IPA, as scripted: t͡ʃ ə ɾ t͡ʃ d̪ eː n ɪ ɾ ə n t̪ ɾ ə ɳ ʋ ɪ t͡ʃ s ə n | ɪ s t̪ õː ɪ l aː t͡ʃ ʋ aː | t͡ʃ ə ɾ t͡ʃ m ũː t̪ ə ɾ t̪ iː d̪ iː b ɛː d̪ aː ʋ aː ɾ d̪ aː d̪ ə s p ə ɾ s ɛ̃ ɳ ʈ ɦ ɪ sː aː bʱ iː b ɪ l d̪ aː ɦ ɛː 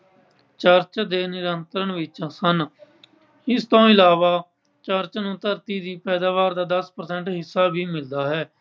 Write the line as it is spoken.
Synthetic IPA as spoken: t͡ʃ ə ɾ t͡ʃ d̪ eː n ɪ ɾ ə n t̪ ɾ ə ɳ ʋ ɪ t͡ʃ s ə n | ɪ s t̪ õː ɪ l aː ʋ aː | t͡ʃ ə ɾ t͡ʃ n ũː t̪ ə ɾ t̪ iː d̪ iː p ɛː d̪ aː ʋ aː ɾ d̪ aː d̪ ə s p ə ɾ s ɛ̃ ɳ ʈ ɦ ɪ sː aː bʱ iː m ɪ l d̪ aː ɦ ɛː